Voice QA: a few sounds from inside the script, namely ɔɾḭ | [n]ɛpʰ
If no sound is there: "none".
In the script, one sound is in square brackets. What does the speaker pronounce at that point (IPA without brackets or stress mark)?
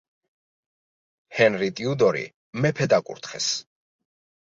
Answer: m